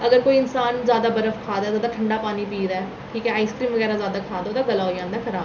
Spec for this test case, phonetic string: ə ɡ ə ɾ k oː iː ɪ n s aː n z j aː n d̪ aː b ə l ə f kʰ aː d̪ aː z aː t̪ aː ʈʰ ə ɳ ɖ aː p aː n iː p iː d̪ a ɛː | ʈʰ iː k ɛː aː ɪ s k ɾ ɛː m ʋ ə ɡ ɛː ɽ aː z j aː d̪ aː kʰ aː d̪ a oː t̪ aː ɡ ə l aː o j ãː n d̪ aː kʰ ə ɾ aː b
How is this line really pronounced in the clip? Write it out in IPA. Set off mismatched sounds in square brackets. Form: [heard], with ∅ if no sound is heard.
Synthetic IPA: ə ɡ ə ɾ k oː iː ɪ n s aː n z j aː [∅] d̪ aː b ə [ɾ] ə f kʰ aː d̪ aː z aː [d̪] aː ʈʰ ə ɳ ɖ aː p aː n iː p iː d̪ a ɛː | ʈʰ iː k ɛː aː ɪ s k ɾ [iː] m ʋ ə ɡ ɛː [ɾ] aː z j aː d̪ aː kʰ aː d̪ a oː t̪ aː ɡ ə l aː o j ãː n d̪ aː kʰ ə ɾ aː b